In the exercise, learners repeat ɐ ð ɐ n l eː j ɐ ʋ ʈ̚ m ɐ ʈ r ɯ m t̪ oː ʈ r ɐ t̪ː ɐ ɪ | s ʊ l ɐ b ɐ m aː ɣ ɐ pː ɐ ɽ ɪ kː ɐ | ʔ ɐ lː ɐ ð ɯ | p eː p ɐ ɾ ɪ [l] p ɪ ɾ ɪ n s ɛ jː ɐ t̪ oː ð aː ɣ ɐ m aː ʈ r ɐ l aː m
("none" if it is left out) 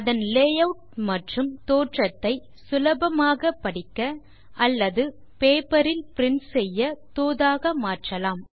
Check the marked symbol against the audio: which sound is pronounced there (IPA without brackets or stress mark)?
l